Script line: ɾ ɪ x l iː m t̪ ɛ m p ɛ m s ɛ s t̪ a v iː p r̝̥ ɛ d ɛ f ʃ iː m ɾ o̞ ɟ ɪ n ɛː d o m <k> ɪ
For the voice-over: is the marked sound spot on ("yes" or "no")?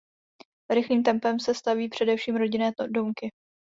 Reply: yes